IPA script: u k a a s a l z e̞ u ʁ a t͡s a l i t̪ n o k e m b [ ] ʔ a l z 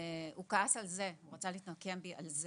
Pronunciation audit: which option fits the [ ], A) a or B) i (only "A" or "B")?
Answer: B